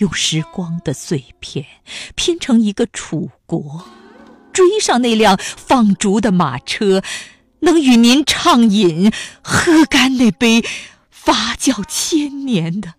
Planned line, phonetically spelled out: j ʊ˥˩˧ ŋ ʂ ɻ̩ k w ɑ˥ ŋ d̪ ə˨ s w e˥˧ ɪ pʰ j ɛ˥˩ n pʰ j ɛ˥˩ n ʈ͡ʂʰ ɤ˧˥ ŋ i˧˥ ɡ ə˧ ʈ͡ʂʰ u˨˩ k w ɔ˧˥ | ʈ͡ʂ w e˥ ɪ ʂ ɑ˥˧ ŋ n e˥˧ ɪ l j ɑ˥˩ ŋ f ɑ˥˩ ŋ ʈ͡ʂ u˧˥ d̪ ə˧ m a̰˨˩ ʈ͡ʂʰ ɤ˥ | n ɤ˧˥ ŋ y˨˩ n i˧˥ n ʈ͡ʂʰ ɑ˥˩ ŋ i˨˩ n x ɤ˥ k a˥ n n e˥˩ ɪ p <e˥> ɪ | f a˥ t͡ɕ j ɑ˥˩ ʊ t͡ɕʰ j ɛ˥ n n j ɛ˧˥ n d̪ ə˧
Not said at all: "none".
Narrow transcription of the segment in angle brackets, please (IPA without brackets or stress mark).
e˥